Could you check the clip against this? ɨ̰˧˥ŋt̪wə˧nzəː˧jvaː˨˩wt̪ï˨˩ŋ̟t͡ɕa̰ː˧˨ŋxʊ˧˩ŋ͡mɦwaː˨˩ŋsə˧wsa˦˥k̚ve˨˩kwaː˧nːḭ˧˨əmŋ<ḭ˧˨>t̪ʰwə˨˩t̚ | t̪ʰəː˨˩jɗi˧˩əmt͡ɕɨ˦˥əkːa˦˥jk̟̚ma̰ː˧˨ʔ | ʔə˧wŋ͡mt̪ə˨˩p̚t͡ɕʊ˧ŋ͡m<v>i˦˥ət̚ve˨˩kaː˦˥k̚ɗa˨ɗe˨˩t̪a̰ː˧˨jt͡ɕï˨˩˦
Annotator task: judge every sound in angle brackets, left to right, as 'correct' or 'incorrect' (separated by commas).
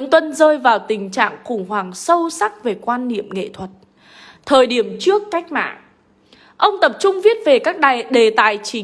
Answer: incorrect, correct